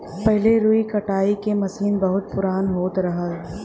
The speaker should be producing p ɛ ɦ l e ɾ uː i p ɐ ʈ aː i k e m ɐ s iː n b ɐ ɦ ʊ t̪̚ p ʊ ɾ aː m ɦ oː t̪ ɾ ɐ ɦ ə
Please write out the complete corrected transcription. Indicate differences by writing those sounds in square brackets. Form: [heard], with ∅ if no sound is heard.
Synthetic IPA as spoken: p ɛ ɦ l e ɾ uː i [k] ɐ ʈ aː i k e m ɐ s iː n b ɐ ɦ ʊ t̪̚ p ʊ ɾ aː [n] ɦ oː t̪ ɾ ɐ ɦ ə